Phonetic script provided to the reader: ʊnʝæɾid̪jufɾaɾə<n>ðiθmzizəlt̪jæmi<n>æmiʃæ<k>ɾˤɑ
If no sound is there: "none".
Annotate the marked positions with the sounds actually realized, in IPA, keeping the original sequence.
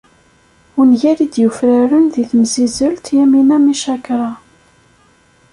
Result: n, n, k

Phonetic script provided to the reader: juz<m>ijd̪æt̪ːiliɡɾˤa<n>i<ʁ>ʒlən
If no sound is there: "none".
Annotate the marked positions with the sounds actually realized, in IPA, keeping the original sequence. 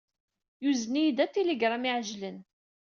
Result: n, m, ʕ

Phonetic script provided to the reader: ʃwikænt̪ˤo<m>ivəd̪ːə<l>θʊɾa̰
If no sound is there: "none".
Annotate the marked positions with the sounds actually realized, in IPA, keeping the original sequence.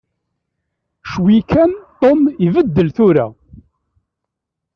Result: m, l

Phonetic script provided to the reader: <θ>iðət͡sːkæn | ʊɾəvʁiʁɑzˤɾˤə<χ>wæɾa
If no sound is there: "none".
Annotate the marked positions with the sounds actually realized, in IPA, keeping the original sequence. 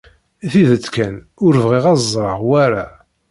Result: θ, ʁ

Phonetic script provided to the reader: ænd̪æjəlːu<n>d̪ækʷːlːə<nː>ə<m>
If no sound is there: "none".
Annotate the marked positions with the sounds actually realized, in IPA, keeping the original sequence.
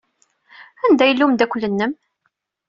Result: m, nː, m

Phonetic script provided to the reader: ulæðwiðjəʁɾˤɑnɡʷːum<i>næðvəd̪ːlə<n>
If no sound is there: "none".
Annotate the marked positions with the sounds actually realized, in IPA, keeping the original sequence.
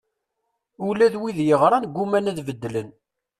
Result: æ, n

